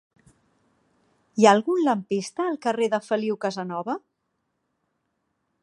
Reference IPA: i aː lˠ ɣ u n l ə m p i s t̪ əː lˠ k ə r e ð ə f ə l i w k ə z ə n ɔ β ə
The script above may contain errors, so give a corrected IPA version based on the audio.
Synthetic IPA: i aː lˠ ɣ u n l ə m p i s t̪ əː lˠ k ə r e ð ə f ə l i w k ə z ə n ɔ β ə

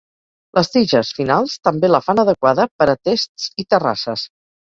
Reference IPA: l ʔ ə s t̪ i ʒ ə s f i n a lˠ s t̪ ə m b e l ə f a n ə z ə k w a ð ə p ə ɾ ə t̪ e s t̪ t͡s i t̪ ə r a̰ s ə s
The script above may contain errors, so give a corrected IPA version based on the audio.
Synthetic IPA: l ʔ ə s t̪ i ʒ ə s f i n a lˠ s t̪ ə m b e l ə f a n ə ð ə k w a ð ə p ə ɾ ə t̪ e s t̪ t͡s i t̪ ə r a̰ s ə s

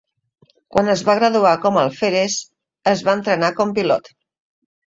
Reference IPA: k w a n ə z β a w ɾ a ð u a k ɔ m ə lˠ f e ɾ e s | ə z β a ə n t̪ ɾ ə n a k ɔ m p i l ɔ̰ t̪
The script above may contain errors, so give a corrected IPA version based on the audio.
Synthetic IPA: k w a n ə z β a ɣ ɾ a ð u a k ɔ m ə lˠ f e ɾ e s | ə z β a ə n t̪ ɾ ə n a k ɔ m p i l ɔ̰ t̪

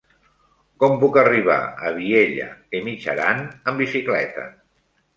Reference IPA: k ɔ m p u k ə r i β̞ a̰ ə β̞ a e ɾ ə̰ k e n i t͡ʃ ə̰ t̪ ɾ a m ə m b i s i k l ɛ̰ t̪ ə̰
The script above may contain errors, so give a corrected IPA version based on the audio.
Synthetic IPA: k ɔ m p u k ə r i β̞ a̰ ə β̞ i e ʎ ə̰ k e m i t͡ʃ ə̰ ɾ a n ə m b i s i k l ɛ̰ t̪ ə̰

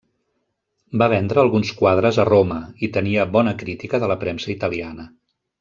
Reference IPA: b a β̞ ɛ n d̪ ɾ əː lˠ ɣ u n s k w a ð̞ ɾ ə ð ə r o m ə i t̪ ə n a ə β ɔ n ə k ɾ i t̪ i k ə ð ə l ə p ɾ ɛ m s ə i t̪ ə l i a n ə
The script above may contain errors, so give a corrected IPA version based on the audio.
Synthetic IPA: b a β̞ ɛ n d̪ ɾ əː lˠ ɣ u n s k w a ð̞ ɾ ə z ə r o m ə i t̪ ə n i ə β ɔ n ə k ɾ i t̪ i k ə ð ə l ə p ɾ ɛ m s ə i t̪ ə l i a n ə

